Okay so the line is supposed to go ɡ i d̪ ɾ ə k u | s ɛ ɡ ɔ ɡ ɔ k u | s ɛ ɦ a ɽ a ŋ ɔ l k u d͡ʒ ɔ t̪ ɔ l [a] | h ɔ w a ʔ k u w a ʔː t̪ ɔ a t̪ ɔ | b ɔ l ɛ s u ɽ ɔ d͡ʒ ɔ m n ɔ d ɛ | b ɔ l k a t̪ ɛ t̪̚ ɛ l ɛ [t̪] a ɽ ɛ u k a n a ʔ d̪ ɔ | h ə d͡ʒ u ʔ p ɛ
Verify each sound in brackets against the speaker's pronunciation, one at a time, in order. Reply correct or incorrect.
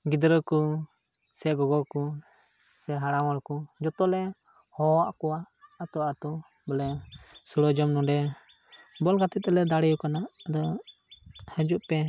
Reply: incorrect, incorrect

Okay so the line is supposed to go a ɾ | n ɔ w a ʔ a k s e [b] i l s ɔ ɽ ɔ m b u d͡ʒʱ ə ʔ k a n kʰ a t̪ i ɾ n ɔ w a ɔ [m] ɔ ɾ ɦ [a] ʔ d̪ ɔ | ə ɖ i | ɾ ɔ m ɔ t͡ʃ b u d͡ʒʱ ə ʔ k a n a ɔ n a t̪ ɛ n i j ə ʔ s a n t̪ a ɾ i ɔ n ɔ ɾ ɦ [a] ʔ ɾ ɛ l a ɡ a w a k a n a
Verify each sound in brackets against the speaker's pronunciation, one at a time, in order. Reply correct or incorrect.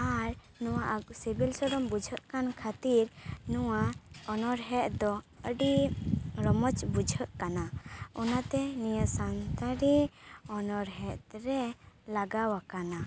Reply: correct, incorrect, incorrect, incorrect

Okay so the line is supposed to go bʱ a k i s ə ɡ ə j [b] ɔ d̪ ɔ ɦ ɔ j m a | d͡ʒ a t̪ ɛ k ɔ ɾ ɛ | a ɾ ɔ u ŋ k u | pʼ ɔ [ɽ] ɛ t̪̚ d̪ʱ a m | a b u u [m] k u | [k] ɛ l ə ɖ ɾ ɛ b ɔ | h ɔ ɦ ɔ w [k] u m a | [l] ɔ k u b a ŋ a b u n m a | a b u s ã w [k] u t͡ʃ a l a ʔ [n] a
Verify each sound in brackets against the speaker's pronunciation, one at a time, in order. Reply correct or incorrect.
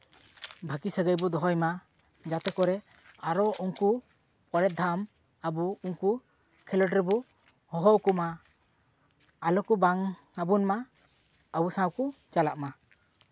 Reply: correct, incorrect, incorrect, incorrect, correct, correct, correct, incorrect

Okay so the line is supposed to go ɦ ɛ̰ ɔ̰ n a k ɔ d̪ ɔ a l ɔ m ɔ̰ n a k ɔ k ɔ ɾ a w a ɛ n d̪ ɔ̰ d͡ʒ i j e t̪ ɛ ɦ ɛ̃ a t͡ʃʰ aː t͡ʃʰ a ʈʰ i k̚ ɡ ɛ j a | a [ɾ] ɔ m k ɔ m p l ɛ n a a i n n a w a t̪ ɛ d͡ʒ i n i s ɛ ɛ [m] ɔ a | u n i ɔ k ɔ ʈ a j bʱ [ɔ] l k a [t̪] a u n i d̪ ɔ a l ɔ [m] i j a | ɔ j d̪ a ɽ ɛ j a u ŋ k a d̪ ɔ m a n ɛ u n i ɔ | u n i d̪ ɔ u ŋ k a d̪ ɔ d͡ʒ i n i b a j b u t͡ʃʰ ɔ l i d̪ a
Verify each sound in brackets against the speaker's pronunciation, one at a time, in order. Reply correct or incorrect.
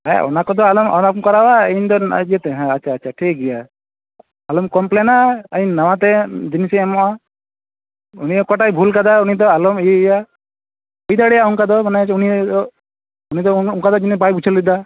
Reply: incorrect, correct, incorrect, incorrect, correct

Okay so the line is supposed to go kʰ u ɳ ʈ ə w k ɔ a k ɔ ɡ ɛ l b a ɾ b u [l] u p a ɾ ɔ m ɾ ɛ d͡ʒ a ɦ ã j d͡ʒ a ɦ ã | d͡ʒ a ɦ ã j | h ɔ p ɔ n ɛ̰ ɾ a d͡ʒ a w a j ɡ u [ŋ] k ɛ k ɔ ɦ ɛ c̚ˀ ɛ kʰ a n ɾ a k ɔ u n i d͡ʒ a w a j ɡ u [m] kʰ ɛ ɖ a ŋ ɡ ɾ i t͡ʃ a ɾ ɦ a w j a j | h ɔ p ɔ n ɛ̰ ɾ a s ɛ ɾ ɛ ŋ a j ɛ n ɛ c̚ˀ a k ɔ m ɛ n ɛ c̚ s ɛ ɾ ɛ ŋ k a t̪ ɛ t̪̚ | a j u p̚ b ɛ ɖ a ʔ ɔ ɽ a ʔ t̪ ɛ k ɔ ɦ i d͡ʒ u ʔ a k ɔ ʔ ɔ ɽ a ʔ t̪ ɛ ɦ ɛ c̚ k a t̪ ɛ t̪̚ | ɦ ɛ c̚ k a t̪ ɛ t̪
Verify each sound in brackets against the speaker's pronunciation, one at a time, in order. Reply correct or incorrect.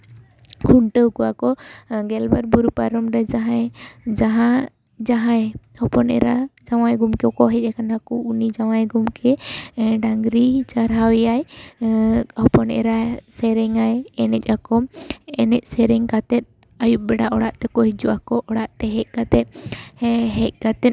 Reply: incorrect, incorrect, correct

